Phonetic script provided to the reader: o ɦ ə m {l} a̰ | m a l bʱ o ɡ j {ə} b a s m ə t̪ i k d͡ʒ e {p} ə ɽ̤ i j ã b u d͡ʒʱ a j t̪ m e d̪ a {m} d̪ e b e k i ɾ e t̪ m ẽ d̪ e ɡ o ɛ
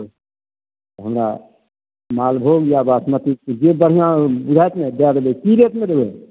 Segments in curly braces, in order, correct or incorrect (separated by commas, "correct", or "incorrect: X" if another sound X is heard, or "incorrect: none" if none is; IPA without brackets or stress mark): incorrect: ɾ, incorrect: a, incorrect: b, incorrect: none